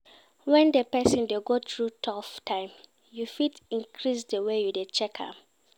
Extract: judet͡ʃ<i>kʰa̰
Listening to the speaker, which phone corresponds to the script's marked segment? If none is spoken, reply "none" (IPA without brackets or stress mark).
ɛ